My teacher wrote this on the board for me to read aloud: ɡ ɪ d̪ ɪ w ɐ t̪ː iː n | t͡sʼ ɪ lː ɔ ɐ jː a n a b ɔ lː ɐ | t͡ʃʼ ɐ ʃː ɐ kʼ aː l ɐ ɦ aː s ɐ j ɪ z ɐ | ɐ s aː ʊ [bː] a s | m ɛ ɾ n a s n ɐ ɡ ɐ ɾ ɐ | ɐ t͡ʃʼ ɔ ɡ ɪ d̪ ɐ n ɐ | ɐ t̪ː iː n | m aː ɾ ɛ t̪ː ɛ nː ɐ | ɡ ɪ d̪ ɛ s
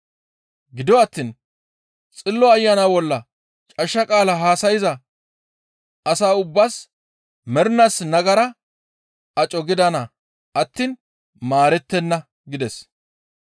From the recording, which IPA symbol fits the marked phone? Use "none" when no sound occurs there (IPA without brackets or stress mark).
bː